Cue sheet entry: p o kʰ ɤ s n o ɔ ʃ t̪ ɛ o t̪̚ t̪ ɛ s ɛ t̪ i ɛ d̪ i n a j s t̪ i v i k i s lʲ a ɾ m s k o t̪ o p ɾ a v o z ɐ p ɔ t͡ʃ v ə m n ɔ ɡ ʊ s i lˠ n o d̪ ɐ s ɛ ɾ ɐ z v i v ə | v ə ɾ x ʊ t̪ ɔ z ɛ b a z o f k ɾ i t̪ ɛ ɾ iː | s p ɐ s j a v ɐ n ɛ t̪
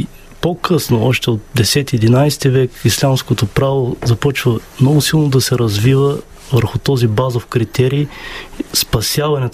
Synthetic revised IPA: p o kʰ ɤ s n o ɔ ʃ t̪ ɛ o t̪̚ d̪ ɛ s ɛ t̪ i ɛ d̪ i n a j s t̪ i v ɛ k i s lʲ a m s k o t̪ o p ɾ a v o z ɐ p ɔ t͡ʃ v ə m n ɔ ɡ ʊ s i lˠ n o d̪ ɐ s ɛ ɾ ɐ z v i v ə | v ə ɾ x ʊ t̪ ɔ z i b a z o f k ɾ i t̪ ɛ ɾ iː | s p ɐ s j a v ɐ n ɛ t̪